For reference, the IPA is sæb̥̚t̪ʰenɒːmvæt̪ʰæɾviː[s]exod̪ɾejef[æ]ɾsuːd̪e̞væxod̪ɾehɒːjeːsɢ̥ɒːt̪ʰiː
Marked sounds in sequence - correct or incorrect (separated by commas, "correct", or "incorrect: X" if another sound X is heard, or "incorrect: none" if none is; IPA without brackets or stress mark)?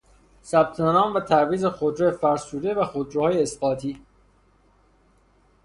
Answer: incorrect: z, correct